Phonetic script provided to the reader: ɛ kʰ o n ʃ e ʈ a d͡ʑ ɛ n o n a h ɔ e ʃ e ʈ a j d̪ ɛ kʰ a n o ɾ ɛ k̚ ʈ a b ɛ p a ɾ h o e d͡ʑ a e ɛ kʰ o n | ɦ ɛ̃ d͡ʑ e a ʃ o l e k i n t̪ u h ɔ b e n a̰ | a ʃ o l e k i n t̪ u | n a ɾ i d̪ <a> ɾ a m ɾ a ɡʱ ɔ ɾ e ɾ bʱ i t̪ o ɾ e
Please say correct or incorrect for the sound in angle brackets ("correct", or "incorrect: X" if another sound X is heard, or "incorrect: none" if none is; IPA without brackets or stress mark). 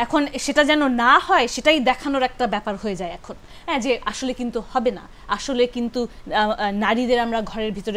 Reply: incorrect: e